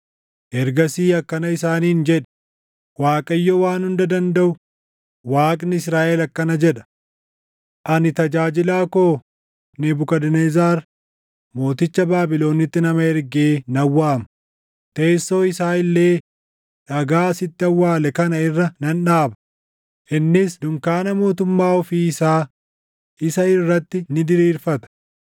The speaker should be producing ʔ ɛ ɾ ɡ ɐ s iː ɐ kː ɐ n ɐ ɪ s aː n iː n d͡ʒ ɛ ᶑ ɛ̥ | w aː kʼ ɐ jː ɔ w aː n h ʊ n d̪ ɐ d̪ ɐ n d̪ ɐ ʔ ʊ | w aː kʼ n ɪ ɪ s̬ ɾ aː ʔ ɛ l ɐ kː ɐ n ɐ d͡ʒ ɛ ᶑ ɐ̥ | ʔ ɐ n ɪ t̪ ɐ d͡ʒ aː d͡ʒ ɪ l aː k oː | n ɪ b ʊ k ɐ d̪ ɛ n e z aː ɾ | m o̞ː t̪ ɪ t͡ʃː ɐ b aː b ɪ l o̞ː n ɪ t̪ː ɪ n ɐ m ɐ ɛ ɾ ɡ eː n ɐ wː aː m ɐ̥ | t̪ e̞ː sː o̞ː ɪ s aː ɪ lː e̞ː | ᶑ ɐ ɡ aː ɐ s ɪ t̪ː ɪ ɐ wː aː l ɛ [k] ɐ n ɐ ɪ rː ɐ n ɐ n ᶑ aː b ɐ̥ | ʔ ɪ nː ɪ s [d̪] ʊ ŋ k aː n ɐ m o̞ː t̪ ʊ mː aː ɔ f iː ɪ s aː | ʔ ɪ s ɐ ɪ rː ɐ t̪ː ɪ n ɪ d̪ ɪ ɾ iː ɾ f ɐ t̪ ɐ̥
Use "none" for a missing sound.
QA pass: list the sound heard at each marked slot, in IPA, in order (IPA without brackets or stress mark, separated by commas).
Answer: k, d̪